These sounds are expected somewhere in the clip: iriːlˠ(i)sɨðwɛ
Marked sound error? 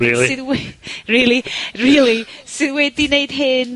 no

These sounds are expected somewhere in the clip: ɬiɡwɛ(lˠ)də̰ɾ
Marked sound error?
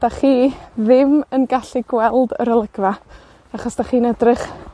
no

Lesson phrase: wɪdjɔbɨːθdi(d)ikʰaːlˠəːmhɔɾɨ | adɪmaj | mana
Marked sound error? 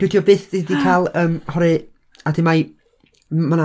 no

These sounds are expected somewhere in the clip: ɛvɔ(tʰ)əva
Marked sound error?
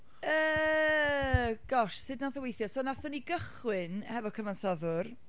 yes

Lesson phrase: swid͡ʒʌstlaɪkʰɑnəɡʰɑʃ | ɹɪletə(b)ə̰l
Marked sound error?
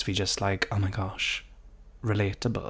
no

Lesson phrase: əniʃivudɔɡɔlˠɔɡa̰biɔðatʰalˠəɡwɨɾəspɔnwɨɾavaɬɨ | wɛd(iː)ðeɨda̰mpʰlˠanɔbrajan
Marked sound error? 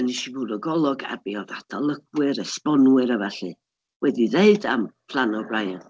yes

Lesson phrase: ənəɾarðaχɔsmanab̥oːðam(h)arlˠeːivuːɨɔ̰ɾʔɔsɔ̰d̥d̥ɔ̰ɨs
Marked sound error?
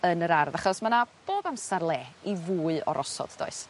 yes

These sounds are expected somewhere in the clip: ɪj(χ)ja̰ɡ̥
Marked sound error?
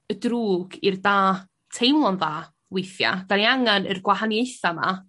yes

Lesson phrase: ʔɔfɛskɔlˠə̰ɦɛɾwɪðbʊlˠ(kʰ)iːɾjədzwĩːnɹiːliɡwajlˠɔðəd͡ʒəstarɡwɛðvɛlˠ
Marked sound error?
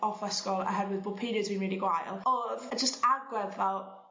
yes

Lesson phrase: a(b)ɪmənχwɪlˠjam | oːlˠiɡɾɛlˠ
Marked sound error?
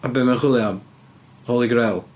no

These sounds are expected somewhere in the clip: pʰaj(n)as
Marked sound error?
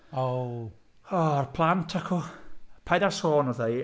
yes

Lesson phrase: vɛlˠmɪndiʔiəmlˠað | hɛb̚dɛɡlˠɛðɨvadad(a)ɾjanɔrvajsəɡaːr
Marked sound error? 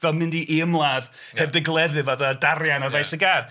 no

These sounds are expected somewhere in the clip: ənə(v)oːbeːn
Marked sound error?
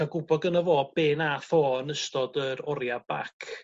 no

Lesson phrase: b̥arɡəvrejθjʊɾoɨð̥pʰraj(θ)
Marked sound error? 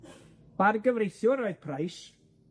yes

